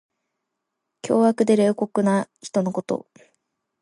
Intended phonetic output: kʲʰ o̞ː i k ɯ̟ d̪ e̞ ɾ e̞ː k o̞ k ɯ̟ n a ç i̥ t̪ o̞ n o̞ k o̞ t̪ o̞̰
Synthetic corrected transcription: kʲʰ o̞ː a k ɯ̟ d̪ e̞ ɾ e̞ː k o̞ k ɯ̟ n a ç i̥ t̪ o̞ n o̞ k o̞ t̪ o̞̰